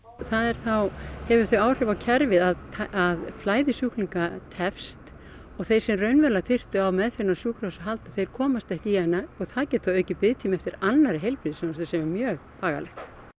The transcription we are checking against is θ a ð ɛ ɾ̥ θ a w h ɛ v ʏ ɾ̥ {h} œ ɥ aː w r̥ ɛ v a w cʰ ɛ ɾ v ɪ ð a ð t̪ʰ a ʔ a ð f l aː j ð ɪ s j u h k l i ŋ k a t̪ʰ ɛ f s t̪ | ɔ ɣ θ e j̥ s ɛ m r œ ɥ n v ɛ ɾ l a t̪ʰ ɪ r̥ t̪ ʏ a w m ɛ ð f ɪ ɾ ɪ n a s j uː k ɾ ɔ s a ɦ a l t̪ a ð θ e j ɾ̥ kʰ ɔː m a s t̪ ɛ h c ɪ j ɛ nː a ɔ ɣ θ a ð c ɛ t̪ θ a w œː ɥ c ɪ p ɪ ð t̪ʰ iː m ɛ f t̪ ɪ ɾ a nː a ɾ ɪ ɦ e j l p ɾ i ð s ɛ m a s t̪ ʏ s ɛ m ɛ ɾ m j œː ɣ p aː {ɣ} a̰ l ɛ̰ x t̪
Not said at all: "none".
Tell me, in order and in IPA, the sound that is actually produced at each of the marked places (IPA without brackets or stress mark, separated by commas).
θ, ɣ